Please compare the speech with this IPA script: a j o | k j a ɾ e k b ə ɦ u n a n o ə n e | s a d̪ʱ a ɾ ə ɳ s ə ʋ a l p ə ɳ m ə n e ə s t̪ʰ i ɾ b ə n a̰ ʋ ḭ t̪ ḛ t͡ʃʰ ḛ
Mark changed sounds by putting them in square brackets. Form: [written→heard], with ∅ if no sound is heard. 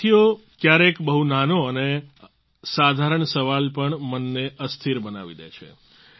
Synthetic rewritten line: [a→i] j o | k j a ɾ e k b ə ɦ u n a n o ə n e | s a d̪ʱ a ɾ ə ɳ s ə ʋ a l p ə ɳ m ə [n→nː] e ə s t̪ʰ i ɾ b ə n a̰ ʋ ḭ [t̪→d̪] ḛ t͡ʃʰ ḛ